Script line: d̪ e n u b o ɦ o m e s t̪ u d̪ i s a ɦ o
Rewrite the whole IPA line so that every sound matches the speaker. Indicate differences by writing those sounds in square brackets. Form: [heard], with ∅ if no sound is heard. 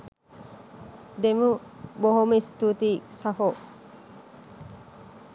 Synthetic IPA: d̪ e [m] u b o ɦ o m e s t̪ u [t̪] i s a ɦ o